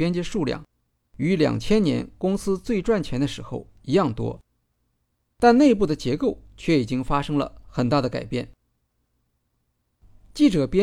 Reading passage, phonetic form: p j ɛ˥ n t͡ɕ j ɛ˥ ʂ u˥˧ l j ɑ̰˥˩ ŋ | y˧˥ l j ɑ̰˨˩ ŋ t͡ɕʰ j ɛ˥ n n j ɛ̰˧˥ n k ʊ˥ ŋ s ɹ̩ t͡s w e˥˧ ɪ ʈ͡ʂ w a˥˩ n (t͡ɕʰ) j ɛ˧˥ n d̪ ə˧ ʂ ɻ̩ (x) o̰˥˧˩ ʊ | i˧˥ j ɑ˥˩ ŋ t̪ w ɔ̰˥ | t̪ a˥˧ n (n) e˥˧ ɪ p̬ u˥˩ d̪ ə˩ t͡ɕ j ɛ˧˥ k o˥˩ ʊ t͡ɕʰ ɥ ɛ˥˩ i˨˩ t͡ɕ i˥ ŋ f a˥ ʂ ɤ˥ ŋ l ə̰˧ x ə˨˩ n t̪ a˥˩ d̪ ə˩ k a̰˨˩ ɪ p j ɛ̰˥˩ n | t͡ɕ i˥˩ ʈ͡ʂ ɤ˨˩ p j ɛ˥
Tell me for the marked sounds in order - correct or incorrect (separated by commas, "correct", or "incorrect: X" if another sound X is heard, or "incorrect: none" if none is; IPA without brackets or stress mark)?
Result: correct, correct, correct